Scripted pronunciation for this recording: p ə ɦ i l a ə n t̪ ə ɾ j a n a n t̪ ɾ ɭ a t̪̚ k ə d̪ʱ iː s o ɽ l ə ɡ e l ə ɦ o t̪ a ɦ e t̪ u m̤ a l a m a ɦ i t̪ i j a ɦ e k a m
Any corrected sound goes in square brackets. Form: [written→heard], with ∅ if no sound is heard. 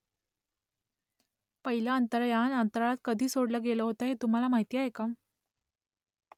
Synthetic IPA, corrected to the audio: p ə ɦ i l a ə n t̪ ə ɾ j a n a n t̪ ɾ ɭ a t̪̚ k ə d̪ʱ iː s o ɽ l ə ɡ e l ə ɦ o t̪ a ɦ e t̪ u m̤ a l a m a ɦ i t̪ i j a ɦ e k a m